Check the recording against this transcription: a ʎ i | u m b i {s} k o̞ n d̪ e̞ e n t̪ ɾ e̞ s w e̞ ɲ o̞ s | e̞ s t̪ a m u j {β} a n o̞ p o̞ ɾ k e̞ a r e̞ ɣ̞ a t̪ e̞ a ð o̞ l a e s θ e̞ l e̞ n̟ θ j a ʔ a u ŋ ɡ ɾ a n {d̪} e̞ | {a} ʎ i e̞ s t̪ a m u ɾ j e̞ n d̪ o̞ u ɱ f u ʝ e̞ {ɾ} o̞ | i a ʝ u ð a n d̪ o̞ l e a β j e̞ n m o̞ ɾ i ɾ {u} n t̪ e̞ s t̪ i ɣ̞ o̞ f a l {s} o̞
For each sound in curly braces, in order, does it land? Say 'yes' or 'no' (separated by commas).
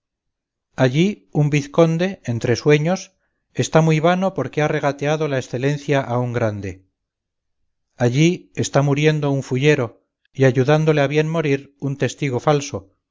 no, yes, yes, yes, yes, yes, yes